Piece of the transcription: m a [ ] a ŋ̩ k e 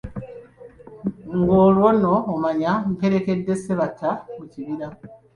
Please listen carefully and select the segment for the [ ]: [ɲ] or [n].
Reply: ɲ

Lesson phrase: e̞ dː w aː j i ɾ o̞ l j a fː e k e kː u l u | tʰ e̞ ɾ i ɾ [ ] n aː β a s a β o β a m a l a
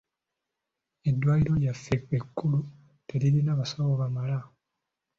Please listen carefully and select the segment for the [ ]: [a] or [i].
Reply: i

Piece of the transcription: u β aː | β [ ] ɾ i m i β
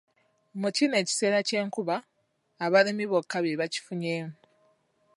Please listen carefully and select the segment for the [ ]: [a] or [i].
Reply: a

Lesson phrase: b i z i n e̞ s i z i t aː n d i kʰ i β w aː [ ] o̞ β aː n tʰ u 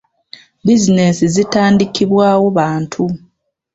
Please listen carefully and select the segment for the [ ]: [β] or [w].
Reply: w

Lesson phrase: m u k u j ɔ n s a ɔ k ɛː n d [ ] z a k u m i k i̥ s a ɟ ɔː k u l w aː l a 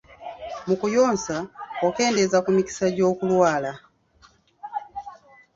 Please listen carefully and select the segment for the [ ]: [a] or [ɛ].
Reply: ɛ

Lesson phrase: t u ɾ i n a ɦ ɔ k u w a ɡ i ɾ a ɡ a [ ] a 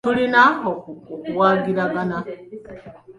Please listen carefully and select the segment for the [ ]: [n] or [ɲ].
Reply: n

